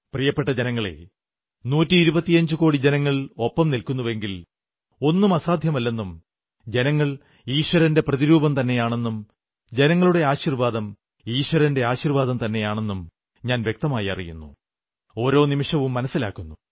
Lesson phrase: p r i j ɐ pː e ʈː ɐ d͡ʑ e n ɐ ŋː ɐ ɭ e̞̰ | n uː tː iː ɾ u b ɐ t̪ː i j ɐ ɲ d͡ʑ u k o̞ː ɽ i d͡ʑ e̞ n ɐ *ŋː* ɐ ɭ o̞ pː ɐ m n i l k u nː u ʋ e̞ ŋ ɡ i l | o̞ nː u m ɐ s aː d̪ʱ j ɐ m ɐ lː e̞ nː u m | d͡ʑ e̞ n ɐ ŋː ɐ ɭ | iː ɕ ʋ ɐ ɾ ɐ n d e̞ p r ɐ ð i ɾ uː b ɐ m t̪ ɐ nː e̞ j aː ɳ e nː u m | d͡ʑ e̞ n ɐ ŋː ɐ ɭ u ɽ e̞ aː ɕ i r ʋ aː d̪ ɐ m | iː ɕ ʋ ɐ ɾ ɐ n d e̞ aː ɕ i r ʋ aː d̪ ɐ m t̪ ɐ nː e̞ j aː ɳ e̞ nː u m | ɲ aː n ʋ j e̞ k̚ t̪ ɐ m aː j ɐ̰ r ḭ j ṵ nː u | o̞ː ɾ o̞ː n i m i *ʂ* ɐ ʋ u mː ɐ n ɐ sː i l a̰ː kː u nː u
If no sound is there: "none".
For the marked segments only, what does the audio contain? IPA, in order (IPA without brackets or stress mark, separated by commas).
ŋː, ʂ